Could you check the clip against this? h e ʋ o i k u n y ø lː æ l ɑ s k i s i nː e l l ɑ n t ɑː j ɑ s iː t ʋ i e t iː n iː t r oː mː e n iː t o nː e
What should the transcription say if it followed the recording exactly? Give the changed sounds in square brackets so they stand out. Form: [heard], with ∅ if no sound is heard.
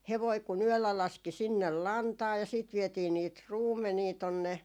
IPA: h e ʋ o i k u n y ø lː æ l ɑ s k i s i nː e l l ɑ n t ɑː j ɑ s iː t ʋ i e t iː n iː t r [uː] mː e n iː t o nː e